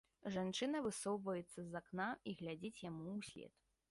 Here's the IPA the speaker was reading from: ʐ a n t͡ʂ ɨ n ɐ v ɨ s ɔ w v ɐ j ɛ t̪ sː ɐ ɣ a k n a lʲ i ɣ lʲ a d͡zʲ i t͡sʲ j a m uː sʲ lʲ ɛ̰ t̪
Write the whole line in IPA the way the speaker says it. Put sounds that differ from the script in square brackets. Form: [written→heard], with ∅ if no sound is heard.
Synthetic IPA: ʐ a n t͡ʂ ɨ n ɐ v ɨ s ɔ w v ɐ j ɛ t̪ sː ɐ [ɣ→z] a k n a [lʲ→∅] i ɣ lʲ a d͡zʲ i t͡sʲ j a m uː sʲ lʲ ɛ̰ t̪

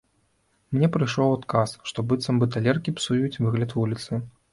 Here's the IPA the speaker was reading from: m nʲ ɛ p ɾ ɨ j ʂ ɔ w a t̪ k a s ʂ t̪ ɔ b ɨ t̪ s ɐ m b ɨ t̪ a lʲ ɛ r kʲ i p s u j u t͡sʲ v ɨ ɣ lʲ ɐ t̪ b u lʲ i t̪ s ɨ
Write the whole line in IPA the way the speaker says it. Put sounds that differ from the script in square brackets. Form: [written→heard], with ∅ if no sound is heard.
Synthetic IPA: m nʲ ɛ p ɾ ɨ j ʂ ɔ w a t̪ k a s ʂ t̪ ɔ b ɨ t̪ s ɐ m b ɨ t̪ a lʲ ɛ r kʲ i p s u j u t͡sʲ v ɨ ɣ lʲ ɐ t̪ [b→v] u lʲ i t̪ s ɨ

